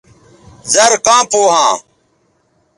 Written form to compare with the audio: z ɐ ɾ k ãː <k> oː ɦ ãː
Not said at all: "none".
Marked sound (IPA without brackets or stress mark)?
p